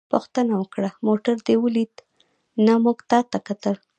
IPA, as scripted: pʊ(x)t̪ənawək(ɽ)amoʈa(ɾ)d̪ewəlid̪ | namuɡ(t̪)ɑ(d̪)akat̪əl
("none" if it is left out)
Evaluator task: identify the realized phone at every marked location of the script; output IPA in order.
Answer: x, ɽ, ɾ, t̪, t̪

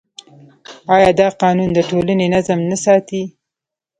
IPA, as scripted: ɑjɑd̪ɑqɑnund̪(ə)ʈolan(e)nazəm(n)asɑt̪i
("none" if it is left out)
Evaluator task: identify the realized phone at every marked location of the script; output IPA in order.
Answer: ə, e, n

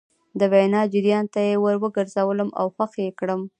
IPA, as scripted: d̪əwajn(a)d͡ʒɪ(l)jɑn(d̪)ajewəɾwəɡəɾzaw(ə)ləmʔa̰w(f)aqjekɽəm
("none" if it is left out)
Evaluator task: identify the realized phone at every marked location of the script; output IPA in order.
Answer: ɑ, ɾ, t̪, ə, x

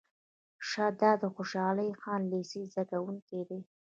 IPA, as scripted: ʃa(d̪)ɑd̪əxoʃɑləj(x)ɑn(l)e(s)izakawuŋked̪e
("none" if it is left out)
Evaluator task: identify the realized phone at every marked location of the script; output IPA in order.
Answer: d̪, x, l, s

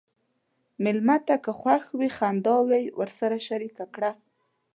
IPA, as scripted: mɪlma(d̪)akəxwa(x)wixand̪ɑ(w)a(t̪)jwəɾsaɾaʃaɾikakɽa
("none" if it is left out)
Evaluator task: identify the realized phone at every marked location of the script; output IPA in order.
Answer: t̪, x, w, none

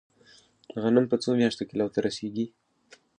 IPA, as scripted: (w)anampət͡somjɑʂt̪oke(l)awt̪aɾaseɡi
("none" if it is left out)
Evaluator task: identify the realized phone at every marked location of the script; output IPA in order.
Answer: ɣ, l

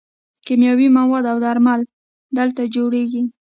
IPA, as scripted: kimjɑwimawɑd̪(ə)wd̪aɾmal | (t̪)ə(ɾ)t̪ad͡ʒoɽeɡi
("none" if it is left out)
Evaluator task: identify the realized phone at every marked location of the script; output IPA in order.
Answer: a, d̪, l

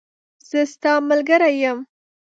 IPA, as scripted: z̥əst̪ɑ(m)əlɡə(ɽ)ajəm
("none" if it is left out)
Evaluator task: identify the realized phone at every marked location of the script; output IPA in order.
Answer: m, ɾ

